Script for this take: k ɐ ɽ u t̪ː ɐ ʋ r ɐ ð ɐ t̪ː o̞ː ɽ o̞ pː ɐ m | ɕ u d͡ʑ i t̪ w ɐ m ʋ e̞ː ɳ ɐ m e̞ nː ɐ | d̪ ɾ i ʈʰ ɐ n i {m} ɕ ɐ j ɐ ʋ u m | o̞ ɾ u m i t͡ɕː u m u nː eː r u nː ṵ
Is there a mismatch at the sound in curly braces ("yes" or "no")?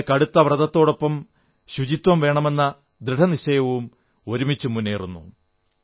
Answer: yes